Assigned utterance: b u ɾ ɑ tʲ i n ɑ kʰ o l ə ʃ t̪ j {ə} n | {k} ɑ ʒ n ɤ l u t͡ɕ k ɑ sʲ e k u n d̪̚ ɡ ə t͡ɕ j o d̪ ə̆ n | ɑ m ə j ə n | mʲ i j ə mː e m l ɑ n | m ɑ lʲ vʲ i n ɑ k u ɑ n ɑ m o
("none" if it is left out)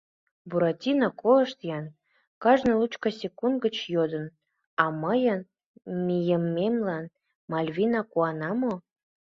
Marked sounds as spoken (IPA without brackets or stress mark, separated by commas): ɑ, k